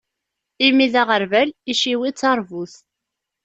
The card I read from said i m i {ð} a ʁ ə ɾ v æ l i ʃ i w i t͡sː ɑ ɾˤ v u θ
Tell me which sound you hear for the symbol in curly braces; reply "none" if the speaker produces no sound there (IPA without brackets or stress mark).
ð